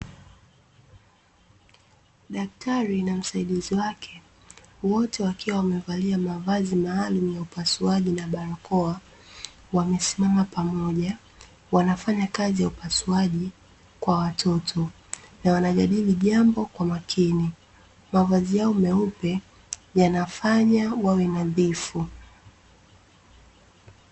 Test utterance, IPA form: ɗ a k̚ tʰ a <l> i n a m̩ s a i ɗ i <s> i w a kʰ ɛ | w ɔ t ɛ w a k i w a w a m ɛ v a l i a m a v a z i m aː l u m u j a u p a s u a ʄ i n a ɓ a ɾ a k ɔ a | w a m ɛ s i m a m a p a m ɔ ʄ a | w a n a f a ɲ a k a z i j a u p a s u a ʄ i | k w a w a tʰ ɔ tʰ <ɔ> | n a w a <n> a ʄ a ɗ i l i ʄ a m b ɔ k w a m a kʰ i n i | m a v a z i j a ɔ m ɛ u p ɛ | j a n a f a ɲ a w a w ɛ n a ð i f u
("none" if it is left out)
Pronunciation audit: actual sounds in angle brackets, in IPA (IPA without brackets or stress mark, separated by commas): ɾ, z, ɔ, n